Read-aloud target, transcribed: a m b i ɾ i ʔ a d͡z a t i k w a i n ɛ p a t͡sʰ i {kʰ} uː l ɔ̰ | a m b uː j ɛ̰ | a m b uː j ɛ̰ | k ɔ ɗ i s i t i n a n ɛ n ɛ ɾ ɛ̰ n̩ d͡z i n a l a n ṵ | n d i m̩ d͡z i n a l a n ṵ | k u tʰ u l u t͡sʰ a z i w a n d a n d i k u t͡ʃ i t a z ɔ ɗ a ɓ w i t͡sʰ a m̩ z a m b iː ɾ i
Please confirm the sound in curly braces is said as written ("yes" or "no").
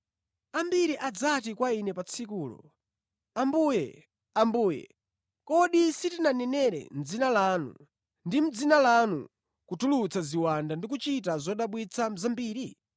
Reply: no